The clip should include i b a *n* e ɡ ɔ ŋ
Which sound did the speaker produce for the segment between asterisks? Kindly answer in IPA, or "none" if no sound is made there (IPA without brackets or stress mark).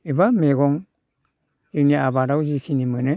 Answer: m